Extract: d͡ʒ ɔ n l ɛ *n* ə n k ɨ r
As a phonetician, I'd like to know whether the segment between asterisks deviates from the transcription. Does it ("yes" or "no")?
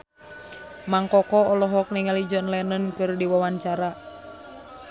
no